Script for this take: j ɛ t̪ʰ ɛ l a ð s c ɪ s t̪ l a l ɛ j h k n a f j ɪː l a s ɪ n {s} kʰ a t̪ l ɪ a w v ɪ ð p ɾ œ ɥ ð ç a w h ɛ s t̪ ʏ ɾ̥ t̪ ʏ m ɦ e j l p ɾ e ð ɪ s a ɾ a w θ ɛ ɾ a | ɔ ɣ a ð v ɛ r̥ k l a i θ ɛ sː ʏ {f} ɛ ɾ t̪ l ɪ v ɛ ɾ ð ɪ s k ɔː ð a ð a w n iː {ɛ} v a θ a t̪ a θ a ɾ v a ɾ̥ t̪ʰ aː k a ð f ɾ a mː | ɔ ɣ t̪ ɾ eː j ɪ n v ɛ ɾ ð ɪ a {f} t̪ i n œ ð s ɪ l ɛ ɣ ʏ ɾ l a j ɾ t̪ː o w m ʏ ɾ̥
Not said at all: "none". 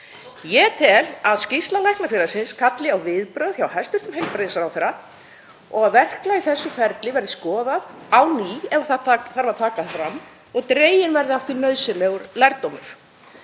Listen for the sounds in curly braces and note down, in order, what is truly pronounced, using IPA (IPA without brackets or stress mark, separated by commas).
s, f, ɛ, f